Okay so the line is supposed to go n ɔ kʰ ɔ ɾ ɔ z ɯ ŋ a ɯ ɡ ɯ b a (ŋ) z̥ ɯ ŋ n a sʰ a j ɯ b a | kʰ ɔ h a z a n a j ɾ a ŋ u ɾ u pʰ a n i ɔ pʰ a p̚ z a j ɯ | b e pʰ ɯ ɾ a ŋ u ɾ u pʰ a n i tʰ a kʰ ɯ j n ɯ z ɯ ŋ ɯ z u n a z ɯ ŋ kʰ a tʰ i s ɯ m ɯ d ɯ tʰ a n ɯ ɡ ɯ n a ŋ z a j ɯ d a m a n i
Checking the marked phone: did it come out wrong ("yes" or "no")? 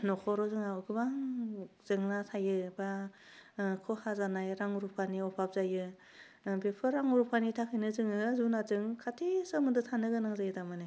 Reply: no